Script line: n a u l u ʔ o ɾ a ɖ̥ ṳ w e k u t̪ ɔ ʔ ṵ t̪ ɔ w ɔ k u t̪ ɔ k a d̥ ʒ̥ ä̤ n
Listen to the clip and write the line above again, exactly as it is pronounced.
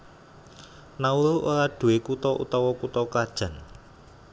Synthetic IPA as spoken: n a u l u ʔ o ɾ a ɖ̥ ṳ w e k u t̪ ɔ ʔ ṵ t̪ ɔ w ɔ k u t̪ ɔ k a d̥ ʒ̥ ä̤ n